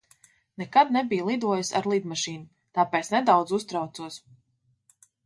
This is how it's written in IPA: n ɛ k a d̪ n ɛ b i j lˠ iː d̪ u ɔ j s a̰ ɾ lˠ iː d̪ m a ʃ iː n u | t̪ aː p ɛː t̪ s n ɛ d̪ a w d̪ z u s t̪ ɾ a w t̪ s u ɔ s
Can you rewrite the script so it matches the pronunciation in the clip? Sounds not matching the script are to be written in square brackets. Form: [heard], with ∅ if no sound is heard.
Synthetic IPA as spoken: n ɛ k a d̪ n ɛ b i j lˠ [i] d̪ u ɔ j s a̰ ɾ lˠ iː d̪ m a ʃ iː n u | t̪ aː p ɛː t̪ s n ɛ d̪ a w d̪ z u s t̪ ɾ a w t̪ s u ɔ s